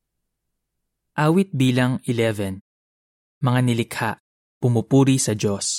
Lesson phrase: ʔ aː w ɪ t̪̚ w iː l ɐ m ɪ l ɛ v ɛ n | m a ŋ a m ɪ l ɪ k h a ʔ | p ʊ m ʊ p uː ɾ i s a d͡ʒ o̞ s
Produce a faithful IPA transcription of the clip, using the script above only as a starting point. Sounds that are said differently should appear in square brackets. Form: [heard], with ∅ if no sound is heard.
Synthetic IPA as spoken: ʔ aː w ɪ t̪̚ [b] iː l ɐ [ŋ] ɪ l ɛ v ɛ n | m [ɐ] ŋ a [n] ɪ l ɪ k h a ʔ | p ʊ m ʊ p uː ɾ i s [ɐ] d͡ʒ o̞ s